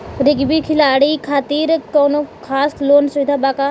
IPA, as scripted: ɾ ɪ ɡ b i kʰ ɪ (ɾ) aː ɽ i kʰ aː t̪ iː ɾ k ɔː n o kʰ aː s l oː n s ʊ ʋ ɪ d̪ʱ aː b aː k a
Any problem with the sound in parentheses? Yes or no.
yes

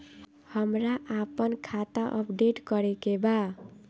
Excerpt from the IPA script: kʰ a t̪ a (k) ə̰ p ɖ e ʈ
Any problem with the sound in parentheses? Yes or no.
yes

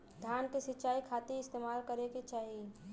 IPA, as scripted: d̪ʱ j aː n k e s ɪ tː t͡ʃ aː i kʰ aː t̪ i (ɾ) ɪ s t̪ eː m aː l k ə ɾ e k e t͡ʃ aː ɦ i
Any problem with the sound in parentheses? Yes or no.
yes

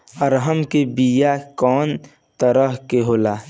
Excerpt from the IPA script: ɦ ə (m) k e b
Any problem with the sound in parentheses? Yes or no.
no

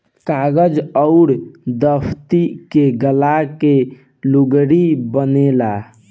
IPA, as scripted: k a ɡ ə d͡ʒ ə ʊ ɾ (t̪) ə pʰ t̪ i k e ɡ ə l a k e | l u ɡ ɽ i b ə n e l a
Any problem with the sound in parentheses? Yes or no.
yes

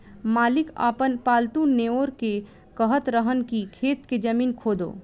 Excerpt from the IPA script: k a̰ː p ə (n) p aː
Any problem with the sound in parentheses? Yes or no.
no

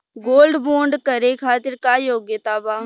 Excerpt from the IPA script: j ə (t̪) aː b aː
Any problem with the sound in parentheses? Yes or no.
no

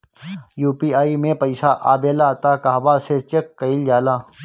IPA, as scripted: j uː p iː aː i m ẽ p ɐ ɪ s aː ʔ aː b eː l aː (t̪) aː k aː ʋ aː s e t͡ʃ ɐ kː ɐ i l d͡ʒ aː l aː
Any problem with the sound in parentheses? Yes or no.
no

